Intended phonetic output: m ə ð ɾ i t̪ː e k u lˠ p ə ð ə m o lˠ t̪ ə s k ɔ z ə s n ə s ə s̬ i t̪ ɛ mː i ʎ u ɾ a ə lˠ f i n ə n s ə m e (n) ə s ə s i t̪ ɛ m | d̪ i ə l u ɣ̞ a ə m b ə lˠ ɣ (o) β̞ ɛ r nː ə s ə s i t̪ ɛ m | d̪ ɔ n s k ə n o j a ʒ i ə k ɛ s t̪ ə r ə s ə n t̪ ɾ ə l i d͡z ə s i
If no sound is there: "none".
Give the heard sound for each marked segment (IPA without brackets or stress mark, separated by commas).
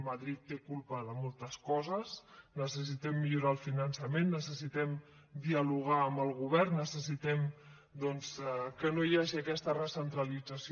nː, u